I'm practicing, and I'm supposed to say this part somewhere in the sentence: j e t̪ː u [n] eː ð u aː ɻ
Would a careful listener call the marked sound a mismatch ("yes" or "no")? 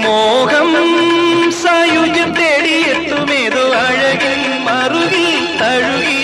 yes